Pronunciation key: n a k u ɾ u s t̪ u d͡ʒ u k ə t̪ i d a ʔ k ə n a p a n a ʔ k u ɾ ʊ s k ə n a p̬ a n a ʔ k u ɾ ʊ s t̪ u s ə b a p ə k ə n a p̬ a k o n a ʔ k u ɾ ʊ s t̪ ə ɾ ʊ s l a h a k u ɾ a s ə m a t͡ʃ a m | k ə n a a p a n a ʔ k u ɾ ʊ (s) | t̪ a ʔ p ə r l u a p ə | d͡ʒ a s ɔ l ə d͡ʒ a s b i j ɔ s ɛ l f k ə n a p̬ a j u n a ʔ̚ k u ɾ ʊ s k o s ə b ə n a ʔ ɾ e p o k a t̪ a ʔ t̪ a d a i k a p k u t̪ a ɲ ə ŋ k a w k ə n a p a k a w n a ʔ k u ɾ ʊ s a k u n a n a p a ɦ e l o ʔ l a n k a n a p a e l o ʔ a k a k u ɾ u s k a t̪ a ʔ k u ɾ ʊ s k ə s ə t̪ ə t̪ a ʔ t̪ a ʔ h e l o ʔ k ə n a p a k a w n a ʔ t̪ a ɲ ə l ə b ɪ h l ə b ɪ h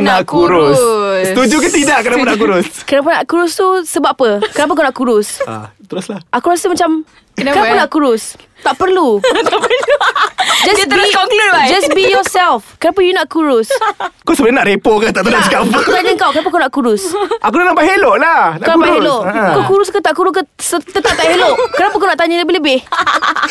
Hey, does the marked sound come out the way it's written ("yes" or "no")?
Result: yes